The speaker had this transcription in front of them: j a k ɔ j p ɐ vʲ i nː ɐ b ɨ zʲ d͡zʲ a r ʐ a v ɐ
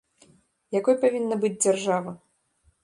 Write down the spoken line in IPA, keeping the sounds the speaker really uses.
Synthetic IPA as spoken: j a k ɔ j p a vʲ i nː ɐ b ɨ d͡zʲ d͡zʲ a r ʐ a v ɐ

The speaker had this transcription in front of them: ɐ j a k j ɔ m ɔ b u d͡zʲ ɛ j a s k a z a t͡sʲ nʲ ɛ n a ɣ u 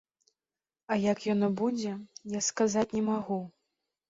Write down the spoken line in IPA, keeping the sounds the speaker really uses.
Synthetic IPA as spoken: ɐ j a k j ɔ n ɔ b u d͡zʲ ɛ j a s k a z a t͡sʲ nʲ ɛ m a ɣ u

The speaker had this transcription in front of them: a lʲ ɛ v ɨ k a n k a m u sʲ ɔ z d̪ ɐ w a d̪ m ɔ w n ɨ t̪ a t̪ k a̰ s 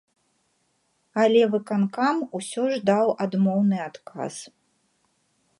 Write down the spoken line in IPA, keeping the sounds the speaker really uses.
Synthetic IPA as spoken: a lʲ ɛ v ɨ k a n k a m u sʲ ɔ ʐ d̪ a w a d̪ m ɔ w n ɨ a t̪ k a̰ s

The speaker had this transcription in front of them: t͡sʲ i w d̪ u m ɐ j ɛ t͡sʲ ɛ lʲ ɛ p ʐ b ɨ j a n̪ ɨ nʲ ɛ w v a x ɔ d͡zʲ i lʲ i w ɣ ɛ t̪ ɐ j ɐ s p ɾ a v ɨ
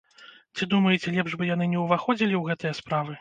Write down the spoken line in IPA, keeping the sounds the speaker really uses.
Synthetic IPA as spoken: t͡sʲ i d̪ u m ɐ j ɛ t͡sʲ ɛ lʲ ɛ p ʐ b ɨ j a n̪ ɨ nʲ ɛ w v a x ɔ d͡zʲ i lʲ i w ɣ ɛ t̪ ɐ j ɐ s p ɾ a v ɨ

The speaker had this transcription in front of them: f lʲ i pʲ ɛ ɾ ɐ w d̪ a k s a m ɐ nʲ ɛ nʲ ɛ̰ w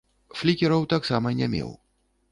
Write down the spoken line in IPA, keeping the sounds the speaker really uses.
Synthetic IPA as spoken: f lʲ i kʲ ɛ ɾ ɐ w t̪ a k s a m ɐ nʲ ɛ mʲ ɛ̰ w

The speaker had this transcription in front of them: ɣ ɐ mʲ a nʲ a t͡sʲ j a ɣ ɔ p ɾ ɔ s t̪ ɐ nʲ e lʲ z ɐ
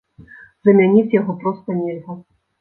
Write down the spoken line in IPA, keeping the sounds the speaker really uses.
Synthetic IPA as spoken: z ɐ mʲ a nʲ i t͡sʲ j a ɣ ɔ p ɾ ɔ s t̪ ɐ nʲ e lʲ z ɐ

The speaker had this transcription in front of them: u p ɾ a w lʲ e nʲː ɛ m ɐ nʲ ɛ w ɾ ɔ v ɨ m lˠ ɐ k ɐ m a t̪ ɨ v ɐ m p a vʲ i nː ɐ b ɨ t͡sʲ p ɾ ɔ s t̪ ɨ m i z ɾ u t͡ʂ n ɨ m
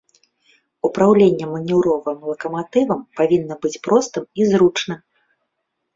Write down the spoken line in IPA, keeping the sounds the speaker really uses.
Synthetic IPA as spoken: u p ɾ a w lʲ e nʲː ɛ m ɐ nʲ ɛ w ɾ ɔ v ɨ m lˠ ɐ k ɐ m a t̪ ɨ v ɐ m p a vʲ i nː ɐ b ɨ t͡sʲ p ɾ ɔ s t̪ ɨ m i z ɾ u t͡ʂ n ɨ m

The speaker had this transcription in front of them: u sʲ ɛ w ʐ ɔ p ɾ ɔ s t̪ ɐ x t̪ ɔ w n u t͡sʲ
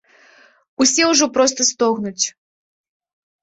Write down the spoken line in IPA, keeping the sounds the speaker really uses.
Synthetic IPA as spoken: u sʲ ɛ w ʐ ɔ p ɾ ɔ s t̪ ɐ s t̪ ɔ ɣ n u t͡sʲ

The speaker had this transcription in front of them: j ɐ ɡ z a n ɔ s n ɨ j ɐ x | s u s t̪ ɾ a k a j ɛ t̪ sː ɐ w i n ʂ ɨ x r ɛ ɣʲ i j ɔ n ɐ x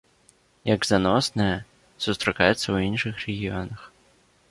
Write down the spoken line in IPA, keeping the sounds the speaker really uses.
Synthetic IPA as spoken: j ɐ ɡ z a n ɔ s n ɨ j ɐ | s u s t̪ ɾ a k a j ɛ t̪ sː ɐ w i n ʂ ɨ x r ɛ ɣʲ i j ɔ n ɐ x

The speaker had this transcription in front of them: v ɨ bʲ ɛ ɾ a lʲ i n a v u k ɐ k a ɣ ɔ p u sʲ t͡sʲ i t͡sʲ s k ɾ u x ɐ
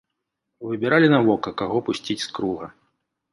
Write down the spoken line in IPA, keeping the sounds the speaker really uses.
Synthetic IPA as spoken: v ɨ bʲ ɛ ɾ a lʲ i n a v ɔ k ɐ k a ɣ ɔ p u sʲ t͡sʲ i t͡sʲ s k ɾ u ɣ ɐ

